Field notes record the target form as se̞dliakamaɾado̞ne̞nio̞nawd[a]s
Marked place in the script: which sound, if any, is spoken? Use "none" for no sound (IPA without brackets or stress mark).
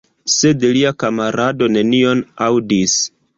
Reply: i